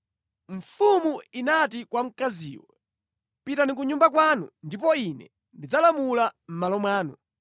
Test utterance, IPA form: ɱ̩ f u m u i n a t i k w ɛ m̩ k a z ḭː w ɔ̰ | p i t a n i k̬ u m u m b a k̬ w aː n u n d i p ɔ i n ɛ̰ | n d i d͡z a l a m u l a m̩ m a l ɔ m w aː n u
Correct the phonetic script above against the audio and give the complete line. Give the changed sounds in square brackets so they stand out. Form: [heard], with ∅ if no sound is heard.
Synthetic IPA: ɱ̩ f u m u i n a t i k w [a] m̩ k a z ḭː w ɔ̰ | p i t a n i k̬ u [ɲ] u m b a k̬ w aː n u n d i p ɔ i n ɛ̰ | n d i d͡z a l a m u l a m̩ m a l ɔ m w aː n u